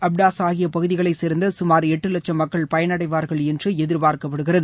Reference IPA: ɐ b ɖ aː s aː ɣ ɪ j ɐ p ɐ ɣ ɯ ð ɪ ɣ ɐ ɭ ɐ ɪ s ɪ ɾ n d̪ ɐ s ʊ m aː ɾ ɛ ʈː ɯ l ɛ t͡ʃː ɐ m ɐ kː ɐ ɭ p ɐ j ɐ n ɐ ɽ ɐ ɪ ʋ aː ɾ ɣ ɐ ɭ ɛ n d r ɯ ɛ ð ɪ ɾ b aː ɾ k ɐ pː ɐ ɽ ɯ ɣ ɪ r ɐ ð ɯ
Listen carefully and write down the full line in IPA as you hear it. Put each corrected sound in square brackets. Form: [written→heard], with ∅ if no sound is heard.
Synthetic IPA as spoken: ɐ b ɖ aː s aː ɣ ɪ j ɐ p ɐ ɣ ɯ ð ɪ ɣ ɐ ɭ ɐ ɪ s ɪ ɾ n d̪ ɐ s ʊ m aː ɾ ɛ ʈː ɯ l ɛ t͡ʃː ɐ m ɐ kː ɐ ɭ p ɐ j ɐ n ɐ ɽ ɐ ɪ ʋ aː ɾ ɣ ɐ ɭ ɛ n d r ɯ ɛ ð ɪ ɾ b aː ɾ k ɐ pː ɐ ɽ ɯ ɣ ɪ r ɐ ð ɯ

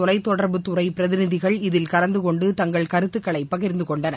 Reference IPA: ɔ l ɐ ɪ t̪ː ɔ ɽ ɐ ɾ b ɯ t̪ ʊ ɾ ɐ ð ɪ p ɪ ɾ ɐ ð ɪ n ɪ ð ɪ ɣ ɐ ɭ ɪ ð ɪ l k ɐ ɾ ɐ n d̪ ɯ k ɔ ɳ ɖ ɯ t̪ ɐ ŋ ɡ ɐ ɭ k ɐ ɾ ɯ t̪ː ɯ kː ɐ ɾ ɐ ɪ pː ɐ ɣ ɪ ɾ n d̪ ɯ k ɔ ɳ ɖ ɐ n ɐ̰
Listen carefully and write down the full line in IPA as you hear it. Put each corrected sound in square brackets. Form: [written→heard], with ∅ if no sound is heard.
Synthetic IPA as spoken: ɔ l ɐ ɪ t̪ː ɔ ɽ ɐ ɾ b ɯ t̪ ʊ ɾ ɐ [ð→∅] ɪ p ɪ ɾ ɐ ð ɪ n ɪ ð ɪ ɣ ɐ ɭ ɪ ð ɪ l k ɐ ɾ ɐ n d̪ ɯ k ɔ ɳ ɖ ɯ t̪ ɐ ŋ ɡ ɐ ɭ k ɐ ɾ ɯ t̪ː ɯ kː ɐ [ɾ→ɭ] ɐ ɪ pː ɐ ɣ ɪ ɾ n d̪ ɯ k ɔ ɳ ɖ ɐ n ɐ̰

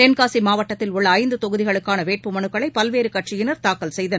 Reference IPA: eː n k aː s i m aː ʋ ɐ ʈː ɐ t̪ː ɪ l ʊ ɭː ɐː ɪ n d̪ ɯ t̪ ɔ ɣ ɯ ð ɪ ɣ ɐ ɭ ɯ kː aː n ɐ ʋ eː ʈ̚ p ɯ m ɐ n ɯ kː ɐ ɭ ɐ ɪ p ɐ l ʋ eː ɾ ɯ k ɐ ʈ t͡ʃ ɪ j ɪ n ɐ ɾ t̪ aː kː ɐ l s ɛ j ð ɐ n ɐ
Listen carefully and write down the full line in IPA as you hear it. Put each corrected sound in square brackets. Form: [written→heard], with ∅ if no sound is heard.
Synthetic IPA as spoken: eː n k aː s i m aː ʋ ɐ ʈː ɐ t̪ː ɪ l ʊ ɭː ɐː ɪ n d̪ ɯ t̪ ɔ ɣ ɯ ð ɪ ɣ ɐ ɭ ɯ kː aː n ɐ ʋ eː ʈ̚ p ɯ m ɐ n ɯ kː ɐ ɭ ɐ ɪ p ɐ l ʋ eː ɾ ɯ k ɐ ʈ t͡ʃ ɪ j ɪ n ɐ ɾ t̪ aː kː ɐ l s ɛ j ð ɐ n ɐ

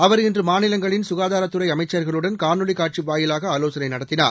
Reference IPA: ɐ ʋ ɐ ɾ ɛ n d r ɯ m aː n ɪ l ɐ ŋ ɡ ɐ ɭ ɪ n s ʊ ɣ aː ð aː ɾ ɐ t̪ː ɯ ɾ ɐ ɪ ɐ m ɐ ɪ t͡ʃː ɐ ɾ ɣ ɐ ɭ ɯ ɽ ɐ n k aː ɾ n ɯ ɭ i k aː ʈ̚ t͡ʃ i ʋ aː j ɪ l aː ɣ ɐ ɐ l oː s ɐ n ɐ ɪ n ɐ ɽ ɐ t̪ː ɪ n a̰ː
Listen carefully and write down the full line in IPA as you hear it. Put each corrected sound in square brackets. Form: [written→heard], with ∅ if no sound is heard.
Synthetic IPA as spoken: ɐ ʋ ɐ ɾ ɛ n d r ɯ m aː n ɪ l ɐ ŋ ɡ ɐ ɭ ɪ n s ʊ ɣ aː ð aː ɾ ɐ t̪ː ɯ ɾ ɐ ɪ ɐ m ɐ ɪ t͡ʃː ɐ ɾ ɣ ɐ ɭ ɯ ɽ ɐ n k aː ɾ n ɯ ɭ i k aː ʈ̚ t͡ʃ i ʋ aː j ɪ l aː ɣ ɐ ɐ l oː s ɐ n ɐ ɪ n ɐ ɽ ɐ t̪ː ɪ n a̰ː

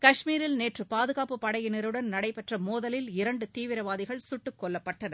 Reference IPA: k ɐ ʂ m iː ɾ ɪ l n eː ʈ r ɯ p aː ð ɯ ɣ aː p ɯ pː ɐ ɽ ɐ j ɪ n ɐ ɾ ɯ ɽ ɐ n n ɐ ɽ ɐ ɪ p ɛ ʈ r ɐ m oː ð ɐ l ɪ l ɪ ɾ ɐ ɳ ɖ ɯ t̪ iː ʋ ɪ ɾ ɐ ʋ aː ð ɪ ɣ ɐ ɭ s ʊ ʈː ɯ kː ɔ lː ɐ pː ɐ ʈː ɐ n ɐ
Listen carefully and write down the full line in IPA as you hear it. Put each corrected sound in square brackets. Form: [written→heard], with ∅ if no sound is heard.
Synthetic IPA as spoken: k ɐ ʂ m iː ɾ ɪ l n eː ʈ r ɯ p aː ð ɯ ɣ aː p ɯ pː ɐ ɽ ɐ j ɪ n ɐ ɾ ɯ ɽ ɐ n n ɐ ɽ ɐ ɪ p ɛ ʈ r ɐ m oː ð ɐ l ɪ l ɪ ɾ ɐ ɳ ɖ ɯ t̪ iː ʋ ɪ ɾ ɐ ʋ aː ð ɪ ɣ ɐ ɭ s ʊ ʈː ɯ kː ɔ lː ɐ pː ɐ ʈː ɐ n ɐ

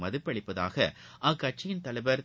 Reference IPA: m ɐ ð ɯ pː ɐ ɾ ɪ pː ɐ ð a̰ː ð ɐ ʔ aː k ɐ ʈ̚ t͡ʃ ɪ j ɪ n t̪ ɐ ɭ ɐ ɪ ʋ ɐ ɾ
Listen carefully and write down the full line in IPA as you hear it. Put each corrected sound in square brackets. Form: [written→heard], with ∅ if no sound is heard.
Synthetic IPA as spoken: m ɐ ð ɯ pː ɐ [ɾ→ɽ] ɪ pː ɐ ð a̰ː [ð→ɣ] ɐ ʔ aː k ɐ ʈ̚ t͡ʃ ɪ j ɪ n t̪ ɐ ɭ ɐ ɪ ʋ ɐ ɾ

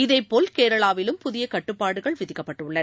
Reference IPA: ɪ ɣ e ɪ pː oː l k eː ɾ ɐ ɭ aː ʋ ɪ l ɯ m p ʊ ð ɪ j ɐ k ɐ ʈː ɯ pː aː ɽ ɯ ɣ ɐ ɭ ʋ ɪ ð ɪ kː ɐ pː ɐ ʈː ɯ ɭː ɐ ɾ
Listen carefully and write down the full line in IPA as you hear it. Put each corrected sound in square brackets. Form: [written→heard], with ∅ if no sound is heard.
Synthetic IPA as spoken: ɪ [ɣ→ð] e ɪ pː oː l k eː ɾ ɐ ɭ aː ʋ ɪ l ɯ m p ʊ ð ɪ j ɐ k ɐ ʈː ɯ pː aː ɽ ɯ ɣ ɐ ɭ ʋ ɪ ð ɪ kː ɐ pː ɐ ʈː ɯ ɭː ɐ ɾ

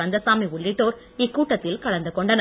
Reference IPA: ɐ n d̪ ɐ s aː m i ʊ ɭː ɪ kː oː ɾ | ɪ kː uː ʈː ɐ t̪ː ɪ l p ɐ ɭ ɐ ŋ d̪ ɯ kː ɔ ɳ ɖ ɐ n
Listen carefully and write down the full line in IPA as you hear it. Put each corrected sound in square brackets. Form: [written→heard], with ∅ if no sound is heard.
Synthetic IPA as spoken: ɐ n d̪ ɐ s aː m i ʊ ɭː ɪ [kː→ʈː] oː ɾ | ɪ kː uː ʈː ɐ t̪ː ɪ l [p→k] ɐ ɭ ɐ [ŋ→n] d̪ ɯ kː ɔ ɳ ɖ ɐ n

